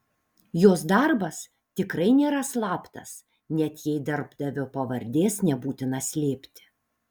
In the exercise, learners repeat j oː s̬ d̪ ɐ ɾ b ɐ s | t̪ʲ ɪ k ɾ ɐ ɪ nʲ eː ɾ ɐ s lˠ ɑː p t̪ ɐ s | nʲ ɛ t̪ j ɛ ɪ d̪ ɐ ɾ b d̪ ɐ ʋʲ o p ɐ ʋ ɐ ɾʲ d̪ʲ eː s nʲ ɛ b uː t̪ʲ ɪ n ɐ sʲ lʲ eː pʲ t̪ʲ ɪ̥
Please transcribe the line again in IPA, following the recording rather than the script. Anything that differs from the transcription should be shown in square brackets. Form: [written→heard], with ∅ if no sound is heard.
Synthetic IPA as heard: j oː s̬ d̪ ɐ ɾ b ɐ s | t̪ʲ ɪ k ɾ ɐ ɪ nʲ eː ɾ ɐ s lˠ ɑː p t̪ ɐ s | nʲ ɛ t̪ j ɛ ɪ d̪ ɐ ɾ b d̪ ɐ ʋʲ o p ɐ ʋ ɐ ɾʲ d̪ʲ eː s nʲ ɛ b uː t̪ʲ ɪ n ɐ sʲ lʲ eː pʲ t̪ʲ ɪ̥